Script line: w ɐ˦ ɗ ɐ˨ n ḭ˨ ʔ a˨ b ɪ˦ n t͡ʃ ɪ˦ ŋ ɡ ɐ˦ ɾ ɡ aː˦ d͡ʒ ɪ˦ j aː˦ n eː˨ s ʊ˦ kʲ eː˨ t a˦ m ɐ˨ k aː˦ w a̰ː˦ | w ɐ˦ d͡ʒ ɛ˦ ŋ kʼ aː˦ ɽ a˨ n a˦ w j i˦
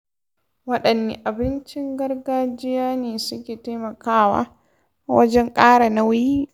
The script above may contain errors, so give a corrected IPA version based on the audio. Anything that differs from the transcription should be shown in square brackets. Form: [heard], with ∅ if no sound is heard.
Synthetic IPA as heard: w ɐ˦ ɗ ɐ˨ [nː] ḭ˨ ʔ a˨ b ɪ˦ n t͡ʃ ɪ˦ ŋ ɡ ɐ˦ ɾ ɡ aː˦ d͡ʒ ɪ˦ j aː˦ n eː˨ s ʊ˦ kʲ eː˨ t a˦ m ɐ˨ k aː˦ w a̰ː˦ | w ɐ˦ d͡ʒ ɛ˦ ŋ kʼ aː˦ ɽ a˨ n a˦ w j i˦

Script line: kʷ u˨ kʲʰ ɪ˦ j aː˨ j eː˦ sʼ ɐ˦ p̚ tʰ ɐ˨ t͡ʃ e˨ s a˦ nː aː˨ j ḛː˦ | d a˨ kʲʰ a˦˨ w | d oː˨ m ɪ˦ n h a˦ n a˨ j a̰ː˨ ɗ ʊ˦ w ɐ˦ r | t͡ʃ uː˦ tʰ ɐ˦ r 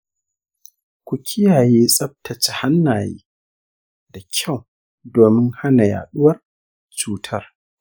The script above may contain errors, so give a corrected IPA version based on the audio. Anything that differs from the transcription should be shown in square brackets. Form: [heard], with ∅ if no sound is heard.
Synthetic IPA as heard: kʷ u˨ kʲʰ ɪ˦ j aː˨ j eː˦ sʼ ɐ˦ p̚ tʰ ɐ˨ t͡ʃ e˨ [h] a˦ nː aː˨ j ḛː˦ | d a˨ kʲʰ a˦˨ w | d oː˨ m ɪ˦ [ŋ] h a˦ n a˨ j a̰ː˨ ɗ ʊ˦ w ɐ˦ r | t͡ʃ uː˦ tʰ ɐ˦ r

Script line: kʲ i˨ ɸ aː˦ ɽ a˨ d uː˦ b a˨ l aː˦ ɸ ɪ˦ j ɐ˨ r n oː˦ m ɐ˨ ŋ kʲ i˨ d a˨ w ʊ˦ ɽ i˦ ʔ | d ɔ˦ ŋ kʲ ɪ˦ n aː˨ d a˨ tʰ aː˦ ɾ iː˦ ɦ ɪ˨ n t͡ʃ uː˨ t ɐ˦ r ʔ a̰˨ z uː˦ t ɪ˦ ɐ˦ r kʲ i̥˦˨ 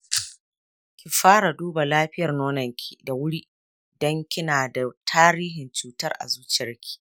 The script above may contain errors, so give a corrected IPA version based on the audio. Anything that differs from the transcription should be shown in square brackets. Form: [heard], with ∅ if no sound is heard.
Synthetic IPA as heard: kʲ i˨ ɸ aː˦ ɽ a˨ d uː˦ b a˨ l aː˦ ɸ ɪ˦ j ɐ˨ r n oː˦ [n] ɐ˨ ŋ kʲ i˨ d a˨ w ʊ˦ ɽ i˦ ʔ | d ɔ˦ ŋ kʲ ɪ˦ n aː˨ d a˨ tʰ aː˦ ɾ iː˦ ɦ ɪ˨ n t͡ʃ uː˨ t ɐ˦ r ʔ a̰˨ z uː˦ [t͡ʃ] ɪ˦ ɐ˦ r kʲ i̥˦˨

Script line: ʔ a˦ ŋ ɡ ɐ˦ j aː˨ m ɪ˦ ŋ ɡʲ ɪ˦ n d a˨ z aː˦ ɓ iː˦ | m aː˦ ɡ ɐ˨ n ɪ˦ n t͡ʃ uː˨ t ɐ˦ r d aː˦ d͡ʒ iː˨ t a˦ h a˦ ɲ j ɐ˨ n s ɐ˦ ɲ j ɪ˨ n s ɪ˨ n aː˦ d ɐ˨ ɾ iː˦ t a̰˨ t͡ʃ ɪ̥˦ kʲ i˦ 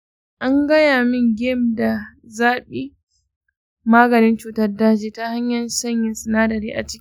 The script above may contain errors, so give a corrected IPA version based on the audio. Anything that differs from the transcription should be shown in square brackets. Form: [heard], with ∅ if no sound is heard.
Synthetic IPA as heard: ʔ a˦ ŋ ɡ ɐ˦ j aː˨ m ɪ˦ ŋ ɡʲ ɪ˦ [m] d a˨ z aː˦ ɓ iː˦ | m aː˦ ɡ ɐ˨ n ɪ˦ n t͡ʃ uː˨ t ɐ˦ r d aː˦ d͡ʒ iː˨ t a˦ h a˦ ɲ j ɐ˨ n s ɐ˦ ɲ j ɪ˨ n s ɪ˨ n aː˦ d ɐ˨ ɾ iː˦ [ʔ] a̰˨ t͡ʃ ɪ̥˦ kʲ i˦

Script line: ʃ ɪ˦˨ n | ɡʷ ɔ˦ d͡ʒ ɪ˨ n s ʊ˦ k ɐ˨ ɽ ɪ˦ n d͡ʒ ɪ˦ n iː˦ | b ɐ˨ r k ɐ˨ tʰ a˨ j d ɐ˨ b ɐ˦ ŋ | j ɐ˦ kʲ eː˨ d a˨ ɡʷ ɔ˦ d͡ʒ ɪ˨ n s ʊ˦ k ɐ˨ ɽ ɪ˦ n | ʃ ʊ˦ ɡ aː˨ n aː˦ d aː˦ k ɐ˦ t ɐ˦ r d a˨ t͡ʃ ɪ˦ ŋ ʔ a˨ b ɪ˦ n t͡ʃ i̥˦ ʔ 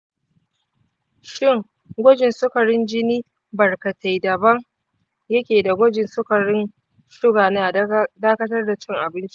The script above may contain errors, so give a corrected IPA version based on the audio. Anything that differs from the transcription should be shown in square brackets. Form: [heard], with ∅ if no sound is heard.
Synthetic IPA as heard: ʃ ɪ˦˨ [ŋ] | ɡʷ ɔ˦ d͡ʒ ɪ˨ n s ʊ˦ k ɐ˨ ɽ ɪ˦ n d͡ʒ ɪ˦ n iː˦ | b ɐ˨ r k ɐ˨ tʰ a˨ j d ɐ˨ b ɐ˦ ŋ | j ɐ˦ kʲ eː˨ d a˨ ɡʷ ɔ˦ d͡ʒ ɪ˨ n s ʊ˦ k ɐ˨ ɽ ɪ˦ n | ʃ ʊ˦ ɡ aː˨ n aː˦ d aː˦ k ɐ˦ t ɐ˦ r d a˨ t͡ʃ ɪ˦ ŋ ʔ a˨ b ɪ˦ n t͡ʃ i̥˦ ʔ

